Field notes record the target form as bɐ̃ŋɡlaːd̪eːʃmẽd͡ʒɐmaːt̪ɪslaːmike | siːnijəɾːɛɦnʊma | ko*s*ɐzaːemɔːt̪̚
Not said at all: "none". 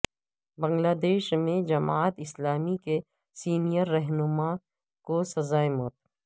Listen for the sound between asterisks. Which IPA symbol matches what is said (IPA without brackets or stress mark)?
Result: s